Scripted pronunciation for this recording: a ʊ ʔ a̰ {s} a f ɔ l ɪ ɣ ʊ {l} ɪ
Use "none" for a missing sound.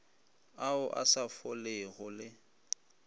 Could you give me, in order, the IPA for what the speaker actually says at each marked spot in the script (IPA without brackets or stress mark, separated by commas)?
s, l